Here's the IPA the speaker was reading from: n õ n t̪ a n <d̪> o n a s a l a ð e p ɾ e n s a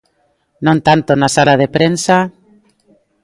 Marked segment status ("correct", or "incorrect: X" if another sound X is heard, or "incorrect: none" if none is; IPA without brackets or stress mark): incorrect: t̪